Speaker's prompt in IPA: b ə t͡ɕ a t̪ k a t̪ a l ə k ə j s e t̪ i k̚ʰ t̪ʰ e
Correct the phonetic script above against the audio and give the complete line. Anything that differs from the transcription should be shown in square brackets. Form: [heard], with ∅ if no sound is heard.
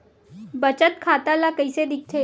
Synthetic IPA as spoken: b ə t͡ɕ [ə] t̪ [kʰ] a t̪ a l [a] k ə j s e [d̪] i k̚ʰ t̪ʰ e